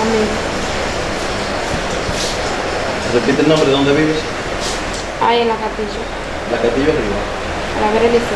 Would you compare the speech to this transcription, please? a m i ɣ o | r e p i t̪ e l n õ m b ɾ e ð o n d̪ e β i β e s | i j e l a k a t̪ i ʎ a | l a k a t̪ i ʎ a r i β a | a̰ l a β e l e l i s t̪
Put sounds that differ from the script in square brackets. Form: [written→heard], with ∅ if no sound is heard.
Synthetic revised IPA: a m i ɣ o | r e p i t̪ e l n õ m b ɾ e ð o n d̪ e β i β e s | [i→a] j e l a k a t̪ i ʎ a | l a k a t̪ i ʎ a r i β a | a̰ l a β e [l→ɾ] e l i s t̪